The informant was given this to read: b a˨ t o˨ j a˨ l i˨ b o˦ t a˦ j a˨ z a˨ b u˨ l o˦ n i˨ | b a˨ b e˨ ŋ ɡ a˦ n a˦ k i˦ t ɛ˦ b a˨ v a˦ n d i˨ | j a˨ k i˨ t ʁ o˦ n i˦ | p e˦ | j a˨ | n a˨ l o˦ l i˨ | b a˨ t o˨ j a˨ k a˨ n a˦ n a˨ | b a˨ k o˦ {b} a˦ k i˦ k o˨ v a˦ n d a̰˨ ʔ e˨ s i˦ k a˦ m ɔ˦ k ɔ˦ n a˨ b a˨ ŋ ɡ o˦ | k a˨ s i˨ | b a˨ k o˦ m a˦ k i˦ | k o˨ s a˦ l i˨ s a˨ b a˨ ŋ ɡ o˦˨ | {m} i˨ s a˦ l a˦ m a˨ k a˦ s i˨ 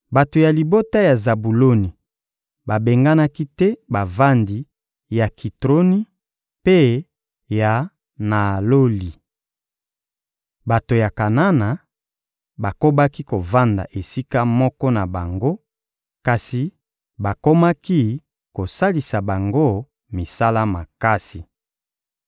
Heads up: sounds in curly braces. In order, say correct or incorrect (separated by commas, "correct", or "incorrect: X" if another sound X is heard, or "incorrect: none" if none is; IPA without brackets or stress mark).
correct, correct